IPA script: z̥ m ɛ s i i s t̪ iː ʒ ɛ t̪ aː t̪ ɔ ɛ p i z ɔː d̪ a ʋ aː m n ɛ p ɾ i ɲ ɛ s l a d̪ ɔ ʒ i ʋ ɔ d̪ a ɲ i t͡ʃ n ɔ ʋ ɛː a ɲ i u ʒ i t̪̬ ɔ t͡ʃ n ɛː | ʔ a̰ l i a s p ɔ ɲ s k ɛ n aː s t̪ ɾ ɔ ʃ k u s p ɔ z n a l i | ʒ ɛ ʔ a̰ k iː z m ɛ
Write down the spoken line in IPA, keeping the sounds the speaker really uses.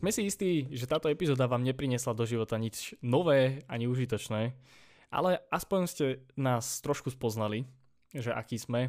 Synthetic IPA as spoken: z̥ m ɛ s i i s t̪ iː ʒ ɛ t̪ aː t̪ ɔ ɛ p i z ɔː d̪ a ʋ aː m ɲ ɛ p ɾ i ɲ ɛ s l a d̪ ɔ ʒ i ʋ ɔ t̪ a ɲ i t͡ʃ n ɔ ʋ ɛː a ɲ i u ʒ i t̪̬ ɔ t͡ʃ n ɛː | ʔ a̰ l ɛ a s p ɔ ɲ s c ɛ n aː s t̪ ɾ ɔ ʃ k u s p ɔ z n a l i | ʒ ɛ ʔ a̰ k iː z m ɛ